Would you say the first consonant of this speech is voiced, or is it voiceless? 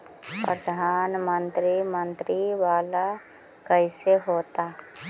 voiceless